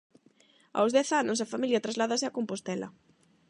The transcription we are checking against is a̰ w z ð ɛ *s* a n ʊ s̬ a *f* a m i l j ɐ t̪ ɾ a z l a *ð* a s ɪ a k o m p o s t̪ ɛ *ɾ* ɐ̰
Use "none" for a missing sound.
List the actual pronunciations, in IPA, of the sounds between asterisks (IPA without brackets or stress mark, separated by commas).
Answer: θ, f, ð, l